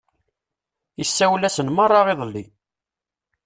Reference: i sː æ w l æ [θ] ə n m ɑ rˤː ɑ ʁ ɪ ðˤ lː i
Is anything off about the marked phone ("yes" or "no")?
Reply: yes